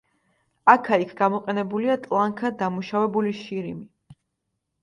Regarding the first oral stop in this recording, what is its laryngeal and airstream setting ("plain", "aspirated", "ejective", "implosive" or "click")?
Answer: aspirated